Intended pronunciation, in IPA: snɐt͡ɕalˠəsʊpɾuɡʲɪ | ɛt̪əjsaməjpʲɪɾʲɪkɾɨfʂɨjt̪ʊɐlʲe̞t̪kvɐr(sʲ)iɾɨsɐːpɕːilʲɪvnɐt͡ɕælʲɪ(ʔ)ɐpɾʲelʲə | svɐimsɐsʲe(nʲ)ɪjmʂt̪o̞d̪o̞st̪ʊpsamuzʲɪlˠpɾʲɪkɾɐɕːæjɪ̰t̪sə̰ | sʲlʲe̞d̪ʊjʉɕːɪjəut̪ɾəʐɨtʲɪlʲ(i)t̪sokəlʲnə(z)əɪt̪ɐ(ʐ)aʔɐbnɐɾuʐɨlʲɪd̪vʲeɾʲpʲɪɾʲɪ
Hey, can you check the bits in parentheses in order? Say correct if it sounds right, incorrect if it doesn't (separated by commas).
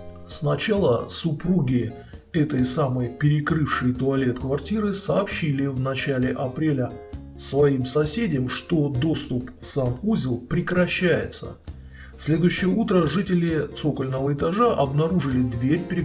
incorrect, correct, incorrect, incorrect, incorrect, correct